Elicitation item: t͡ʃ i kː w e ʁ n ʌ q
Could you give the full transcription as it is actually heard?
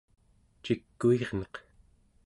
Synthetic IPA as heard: t͡ʃ i kː u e ʁ n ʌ q